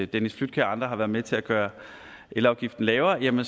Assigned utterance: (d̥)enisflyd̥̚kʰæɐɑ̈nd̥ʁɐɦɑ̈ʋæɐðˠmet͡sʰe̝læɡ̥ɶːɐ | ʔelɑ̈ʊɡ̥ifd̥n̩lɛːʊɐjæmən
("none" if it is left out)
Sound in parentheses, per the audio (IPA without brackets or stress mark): d̥